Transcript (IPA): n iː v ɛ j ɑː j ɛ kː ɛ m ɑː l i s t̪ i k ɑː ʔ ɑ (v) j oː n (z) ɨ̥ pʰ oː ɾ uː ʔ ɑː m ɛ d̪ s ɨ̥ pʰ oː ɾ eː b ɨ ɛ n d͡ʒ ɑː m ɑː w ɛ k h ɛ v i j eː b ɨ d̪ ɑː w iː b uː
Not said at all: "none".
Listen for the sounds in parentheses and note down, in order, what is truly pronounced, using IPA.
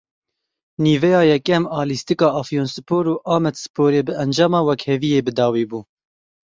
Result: f, s

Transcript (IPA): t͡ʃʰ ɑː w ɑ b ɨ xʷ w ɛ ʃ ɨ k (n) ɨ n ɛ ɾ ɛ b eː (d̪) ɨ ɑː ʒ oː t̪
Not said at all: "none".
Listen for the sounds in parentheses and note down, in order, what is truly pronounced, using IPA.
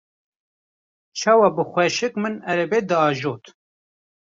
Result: m, d̪

